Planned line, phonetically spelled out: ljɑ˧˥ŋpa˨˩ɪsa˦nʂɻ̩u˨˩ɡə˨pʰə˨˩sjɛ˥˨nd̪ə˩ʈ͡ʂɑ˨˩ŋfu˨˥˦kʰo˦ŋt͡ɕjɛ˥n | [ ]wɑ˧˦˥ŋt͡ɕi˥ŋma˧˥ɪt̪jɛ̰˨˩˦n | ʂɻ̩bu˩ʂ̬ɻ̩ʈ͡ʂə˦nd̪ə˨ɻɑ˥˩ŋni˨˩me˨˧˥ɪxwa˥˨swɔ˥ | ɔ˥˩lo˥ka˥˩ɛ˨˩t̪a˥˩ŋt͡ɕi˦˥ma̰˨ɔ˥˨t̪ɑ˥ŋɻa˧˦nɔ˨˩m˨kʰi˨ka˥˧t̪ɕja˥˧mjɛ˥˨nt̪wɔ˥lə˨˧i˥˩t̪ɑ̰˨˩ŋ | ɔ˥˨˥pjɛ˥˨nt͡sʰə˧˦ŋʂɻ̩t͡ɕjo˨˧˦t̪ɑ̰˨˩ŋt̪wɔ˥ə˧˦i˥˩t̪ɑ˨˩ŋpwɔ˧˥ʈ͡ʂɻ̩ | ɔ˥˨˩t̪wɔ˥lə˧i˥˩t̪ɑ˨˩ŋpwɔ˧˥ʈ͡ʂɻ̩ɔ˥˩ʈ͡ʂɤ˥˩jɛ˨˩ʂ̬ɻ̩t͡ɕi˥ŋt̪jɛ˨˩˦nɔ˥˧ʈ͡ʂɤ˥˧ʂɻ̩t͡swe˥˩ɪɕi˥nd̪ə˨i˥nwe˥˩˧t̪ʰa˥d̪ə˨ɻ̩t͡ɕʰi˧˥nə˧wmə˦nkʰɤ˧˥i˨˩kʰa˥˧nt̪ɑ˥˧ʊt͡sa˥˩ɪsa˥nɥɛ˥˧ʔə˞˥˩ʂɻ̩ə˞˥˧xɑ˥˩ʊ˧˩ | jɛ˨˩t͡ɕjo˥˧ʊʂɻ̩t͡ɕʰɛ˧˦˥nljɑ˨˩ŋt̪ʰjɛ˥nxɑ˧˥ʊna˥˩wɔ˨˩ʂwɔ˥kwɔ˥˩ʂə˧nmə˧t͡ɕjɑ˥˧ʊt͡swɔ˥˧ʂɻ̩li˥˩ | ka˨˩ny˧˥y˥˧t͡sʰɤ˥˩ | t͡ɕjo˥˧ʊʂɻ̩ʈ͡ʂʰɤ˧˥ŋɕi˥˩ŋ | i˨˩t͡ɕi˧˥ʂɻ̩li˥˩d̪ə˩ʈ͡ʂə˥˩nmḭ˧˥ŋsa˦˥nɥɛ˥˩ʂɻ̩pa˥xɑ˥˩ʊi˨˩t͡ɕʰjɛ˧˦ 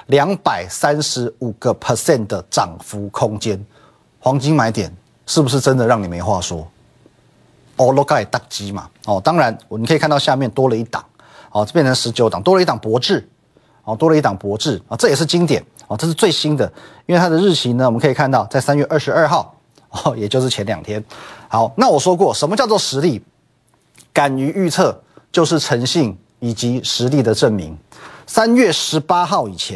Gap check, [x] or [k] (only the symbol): x